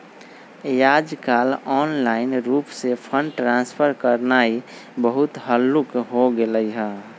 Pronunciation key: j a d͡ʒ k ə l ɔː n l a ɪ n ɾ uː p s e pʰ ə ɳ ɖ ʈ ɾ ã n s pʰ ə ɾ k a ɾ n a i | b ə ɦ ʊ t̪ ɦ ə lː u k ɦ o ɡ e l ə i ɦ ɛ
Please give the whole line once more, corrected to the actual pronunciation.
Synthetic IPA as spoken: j a d͡ʒ k a l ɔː n l a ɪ n ɾ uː p s e pʰ ə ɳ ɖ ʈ ɾ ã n s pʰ ə ɾ k ə ɾ n a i | b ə ɦ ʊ t̪ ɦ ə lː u k ɦ o ɡ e l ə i ɦ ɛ